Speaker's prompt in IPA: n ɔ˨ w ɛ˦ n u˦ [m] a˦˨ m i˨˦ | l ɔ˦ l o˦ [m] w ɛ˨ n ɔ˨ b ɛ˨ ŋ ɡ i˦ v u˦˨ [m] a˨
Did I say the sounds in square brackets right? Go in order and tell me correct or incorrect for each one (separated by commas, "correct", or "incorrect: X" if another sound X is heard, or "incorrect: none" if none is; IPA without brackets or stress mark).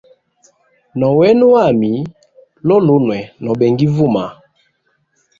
incorrect: none, incorrect: n, correct